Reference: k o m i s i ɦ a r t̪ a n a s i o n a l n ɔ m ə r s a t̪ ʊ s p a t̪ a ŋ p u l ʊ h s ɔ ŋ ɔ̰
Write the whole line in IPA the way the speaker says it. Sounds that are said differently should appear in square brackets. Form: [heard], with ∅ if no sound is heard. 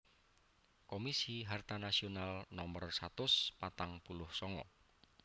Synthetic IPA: k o m i s i ɦ a r t̪ a n a s i o n a l n ɔ m ə r s a t̪ ʊ s p a t̪ a ŋ p u l ʊ h s ɔ ŋ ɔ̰